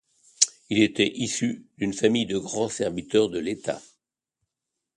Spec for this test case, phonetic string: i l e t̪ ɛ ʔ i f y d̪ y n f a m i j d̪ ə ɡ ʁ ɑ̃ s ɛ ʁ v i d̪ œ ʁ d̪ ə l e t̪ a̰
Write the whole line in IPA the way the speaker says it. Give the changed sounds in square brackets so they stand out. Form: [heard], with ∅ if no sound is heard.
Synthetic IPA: i l e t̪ ɛ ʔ i [s] y d̪ y n f a m i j d̪ ə ɡ ʁ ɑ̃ s ɛ ʁ v i [t̪] œ ʁ d̪ ə l e t̪ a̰